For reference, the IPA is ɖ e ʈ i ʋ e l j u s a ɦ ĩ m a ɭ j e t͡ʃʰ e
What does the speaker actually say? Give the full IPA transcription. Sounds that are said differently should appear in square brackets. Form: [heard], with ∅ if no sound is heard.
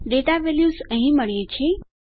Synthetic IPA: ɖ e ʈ [a] ʋ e l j u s [ə] ɦ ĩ m [ə] ɭ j e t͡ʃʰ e